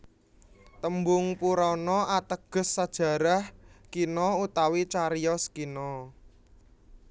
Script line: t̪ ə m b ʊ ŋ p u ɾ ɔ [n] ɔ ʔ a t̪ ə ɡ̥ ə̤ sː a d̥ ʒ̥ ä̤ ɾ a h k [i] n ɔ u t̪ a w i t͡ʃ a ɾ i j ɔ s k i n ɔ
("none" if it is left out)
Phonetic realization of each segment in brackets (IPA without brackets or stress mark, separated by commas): n, i